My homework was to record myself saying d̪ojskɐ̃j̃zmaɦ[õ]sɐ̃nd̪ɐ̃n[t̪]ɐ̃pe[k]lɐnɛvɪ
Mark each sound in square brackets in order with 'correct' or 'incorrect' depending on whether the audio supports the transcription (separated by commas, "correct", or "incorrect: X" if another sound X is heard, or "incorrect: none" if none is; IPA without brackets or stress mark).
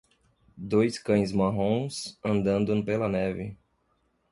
correct, incorrect: d̪, incorrect: none